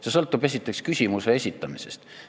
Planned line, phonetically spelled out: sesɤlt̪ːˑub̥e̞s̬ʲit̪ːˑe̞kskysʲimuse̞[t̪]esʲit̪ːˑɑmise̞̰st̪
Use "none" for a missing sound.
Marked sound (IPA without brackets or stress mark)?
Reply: none